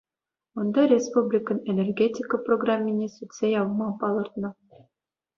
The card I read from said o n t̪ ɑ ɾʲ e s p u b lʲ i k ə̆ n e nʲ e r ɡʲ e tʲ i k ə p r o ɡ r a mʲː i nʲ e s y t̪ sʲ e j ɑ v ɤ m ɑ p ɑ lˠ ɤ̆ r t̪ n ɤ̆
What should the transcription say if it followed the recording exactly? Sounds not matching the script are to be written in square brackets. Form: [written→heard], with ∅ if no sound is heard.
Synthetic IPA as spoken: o n [t̪→d̪] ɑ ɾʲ e s p u b lʲ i k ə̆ n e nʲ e r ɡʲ e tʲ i k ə p r o ɡ r a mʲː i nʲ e s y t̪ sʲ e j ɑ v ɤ m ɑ p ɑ lˠ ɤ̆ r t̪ n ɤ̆